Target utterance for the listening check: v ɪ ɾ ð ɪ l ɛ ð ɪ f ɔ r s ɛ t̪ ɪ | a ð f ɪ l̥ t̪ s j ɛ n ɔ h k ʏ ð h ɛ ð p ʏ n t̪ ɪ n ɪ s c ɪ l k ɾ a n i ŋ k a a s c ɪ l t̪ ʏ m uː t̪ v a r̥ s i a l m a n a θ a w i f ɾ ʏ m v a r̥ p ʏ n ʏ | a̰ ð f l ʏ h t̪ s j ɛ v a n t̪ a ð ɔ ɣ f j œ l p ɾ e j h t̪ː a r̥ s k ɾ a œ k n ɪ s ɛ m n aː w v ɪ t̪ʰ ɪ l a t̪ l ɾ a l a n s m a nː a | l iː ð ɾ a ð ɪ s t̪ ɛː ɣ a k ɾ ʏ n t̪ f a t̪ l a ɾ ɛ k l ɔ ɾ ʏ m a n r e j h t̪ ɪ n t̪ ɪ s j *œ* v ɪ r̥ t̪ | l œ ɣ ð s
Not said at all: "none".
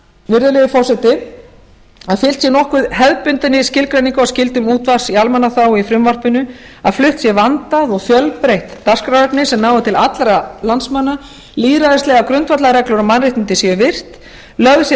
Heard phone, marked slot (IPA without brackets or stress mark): ɛ